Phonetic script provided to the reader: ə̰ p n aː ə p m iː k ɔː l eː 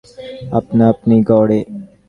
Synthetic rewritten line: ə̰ p n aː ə p n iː ɡ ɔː ɽ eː